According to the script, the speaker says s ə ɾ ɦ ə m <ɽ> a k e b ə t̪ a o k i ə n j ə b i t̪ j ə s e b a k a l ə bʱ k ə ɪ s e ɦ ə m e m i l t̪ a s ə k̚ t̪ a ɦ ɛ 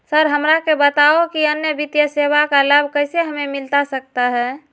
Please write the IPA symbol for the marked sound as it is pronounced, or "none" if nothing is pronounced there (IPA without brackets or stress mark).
ɾ